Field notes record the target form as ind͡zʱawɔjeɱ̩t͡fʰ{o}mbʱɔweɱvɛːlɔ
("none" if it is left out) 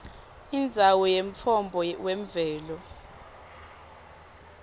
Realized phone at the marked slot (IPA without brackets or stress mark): ɔ